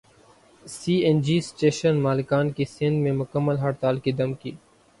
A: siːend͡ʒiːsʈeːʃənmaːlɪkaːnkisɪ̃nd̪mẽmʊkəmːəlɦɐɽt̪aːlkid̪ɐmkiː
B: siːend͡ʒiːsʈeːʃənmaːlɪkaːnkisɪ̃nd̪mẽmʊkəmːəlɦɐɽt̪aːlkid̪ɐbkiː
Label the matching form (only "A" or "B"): A